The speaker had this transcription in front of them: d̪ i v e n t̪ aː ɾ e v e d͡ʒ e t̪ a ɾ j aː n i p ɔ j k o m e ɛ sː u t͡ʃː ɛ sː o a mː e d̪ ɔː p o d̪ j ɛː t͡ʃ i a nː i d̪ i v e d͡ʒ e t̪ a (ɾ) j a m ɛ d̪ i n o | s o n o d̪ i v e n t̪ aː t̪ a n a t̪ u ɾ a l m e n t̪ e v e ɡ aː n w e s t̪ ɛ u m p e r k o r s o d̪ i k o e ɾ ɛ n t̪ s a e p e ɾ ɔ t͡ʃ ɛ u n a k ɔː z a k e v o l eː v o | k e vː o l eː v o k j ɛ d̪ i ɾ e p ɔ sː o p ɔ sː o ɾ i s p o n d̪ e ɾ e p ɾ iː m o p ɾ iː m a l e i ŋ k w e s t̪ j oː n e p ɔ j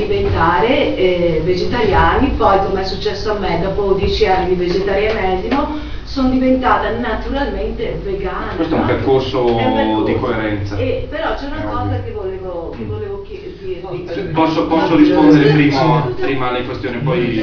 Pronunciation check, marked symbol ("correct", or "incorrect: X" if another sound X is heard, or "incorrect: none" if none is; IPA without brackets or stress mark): correct